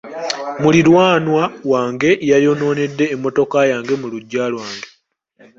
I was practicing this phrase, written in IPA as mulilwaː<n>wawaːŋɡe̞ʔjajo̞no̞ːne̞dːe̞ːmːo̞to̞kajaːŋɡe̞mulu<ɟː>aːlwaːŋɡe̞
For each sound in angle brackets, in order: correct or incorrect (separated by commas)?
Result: correct, correct